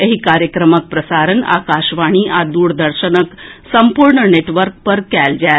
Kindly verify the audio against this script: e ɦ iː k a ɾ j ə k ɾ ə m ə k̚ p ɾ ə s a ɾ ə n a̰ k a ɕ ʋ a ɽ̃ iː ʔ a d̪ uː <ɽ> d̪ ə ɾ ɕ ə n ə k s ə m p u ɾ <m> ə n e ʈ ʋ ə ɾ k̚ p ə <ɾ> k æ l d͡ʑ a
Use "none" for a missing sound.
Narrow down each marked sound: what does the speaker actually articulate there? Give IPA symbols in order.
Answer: ɽ, ɳ, ɾ

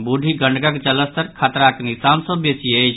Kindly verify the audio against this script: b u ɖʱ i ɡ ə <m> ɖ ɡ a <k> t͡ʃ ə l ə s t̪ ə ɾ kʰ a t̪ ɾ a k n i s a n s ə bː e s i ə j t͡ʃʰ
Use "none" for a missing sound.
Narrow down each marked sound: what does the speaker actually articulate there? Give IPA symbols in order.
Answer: ɳ, k

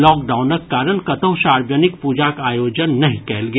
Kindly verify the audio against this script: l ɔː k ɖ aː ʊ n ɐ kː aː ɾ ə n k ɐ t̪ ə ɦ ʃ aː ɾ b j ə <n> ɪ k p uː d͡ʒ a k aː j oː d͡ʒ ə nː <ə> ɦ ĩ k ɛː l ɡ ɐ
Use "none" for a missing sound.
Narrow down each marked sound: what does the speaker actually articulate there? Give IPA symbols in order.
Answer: n, ɐ

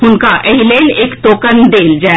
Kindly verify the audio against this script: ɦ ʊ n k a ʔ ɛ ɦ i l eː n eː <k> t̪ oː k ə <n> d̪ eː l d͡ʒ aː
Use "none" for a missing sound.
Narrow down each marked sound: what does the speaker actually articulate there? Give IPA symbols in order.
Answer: k, n

